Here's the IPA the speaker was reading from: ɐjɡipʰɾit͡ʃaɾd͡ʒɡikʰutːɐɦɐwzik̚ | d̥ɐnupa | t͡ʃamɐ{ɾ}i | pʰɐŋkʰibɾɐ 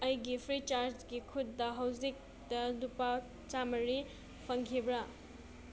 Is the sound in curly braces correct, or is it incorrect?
correct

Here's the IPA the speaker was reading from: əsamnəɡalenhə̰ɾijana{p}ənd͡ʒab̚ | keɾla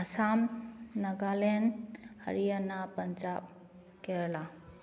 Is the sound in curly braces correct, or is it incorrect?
correct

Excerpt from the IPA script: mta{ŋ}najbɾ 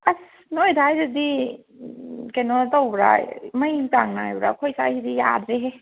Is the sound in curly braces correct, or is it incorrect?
correct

